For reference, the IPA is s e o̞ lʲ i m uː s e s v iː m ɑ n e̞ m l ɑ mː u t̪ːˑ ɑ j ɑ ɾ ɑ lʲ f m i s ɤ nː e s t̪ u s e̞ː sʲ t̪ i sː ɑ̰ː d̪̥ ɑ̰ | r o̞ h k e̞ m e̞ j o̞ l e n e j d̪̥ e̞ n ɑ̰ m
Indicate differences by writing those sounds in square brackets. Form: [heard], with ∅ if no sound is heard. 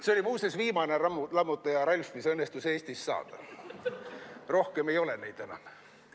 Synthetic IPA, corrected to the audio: s e o̞ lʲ i m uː s e s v iː m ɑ n e̞ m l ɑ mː u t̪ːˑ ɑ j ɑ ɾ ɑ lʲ f m i s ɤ nː e s t̪ u s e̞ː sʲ t̪ i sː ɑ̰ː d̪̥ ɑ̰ | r o̞ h k e̞ m e̞ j o̞ l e n e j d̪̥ e̞ n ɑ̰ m